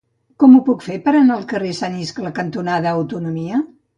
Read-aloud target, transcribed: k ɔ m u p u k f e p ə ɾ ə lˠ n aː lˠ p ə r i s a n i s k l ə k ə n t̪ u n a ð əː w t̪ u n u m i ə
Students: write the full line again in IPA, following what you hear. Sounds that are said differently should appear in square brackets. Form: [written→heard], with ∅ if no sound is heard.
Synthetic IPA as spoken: k ɔ m u p u k f e p ə ɾ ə [lˠ→∅] n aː lˠ [p→k] ə r [i→e] s a n i s k l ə k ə n t̪ u n a ð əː w t̪ u n u m i ə